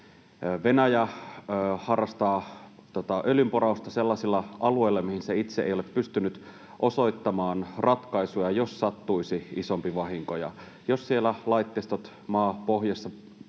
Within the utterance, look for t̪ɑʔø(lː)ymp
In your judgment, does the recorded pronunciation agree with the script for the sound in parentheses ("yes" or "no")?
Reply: no